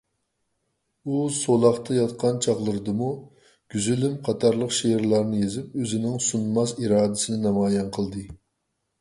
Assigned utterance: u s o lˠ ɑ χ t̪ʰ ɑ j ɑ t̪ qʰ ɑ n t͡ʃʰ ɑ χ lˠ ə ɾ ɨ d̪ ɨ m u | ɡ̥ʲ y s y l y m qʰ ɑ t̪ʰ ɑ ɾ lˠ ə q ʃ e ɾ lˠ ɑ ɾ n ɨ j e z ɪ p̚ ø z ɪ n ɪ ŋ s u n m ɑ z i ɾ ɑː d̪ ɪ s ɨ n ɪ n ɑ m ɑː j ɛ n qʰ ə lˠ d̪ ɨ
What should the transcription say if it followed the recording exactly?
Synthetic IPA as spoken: u s o lˠ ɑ χ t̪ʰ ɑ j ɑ t̪ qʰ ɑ n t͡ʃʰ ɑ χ lˠ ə ɾ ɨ d̪ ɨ m u | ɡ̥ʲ y z y l y m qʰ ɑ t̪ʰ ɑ ɾ lˠ ə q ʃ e ɾ lˠ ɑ ɾ n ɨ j e z ɪ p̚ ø z ɪ n ɪ ŋ s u n m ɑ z i ɾ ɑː d̪ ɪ s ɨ n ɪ n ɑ m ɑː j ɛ n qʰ ə lˠ d̪ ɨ

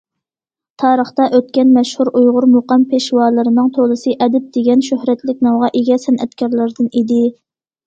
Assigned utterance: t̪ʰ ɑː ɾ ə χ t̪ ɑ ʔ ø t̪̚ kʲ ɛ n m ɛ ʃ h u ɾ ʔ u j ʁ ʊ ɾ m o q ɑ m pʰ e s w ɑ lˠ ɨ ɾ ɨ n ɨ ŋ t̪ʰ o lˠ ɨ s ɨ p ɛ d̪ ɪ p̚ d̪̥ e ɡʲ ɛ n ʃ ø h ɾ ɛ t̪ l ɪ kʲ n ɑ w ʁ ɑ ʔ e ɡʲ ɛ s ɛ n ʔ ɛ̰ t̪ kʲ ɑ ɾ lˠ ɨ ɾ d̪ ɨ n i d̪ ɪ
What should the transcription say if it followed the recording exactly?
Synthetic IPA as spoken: t̪ʰ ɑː ɾ ə χ t̪ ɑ ʔ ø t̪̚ kʲ ɛ n m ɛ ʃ h u ɾ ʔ u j ʁ ʊ ɾ m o q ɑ m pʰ e ʃ w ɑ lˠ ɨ ɾ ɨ n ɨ ŋ t̪ʰ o lˠ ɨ s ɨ ʔ ɛ d̪ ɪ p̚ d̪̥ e ɡʲ ɛ n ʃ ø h ɾ ɛ t̪ l ɪ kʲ n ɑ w ʁ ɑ ʔ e ɡʲ ɛ s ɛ n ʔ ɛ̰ t̪ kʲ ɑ ɾ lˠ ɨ ɾ d̪ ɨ n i d̪ ɪ

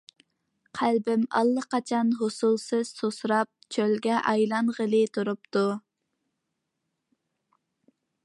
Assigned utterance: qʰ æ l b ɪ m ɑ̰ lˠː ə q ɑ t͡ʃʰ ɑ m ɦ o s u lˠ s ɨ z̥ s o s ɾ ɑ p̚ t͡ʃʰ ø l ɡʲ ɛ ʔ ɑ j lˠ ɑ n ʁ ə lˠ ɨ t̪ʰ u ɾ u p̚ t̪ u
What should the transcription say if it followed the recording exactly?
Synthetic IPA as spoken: qʰ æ l b ɪ m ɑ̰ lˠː ə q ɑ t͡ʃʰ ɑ n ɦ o s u lˠ s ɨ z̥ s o s ɾ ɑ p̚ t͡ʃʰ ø l ɡʲ ɛ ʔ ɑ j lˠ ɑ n ʁ ə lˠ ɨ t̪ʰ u ɾ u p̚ t̪ u

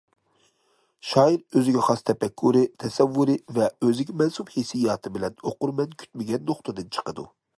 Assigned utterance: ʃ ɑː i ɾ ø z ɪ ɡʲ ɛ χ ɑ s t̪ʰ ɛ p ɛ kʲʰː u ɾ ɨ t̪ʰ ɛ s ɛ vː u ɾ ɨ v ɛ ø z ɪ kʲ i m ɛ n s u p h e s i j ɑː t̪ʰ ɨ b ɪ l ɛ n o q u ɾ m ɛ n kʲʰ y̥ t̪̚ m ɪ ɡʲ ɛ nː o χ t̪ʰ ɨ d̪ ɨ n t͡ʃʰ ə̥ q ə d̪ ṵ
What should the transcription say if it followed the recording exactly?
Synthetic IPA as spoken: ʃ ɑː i ɾ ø z ɪ ɡʲ ɛ χ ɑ s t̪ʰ ɛ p ɛ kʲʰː u ɾ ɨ t̪ʰ ɛ s ɛ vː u ɾ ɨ v ɛ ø z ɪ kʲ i m ɛ n s u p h e s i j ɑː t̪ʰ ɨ b ɪ l ɛ n o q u ɾ m ɛ n kʲʰ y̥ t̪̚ m ɪ ɡʲ ɛ nː o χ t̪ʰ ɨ d̪ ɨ n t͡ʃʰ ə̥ q ə d̪ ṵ

